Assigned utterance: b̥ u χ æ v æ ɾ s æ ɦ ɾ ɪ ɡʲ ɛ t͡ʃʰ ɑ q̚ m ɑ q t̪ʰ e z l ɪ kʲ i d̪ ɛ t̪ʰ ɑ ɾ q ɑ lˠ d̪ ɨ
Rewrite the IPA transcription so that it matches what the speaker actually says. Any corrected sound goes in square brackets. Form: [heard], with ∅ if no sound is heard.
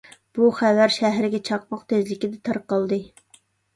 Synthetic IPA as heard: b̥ u χ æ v æ ɾ [ʃ] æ ɦ ɾ ɪ ɡʲ ɛ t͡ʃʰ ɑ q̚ m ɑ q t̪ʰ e z l ɪ kʲ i d̪ ɛ t̪ʰ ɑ ɾ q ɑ lˠ d̪ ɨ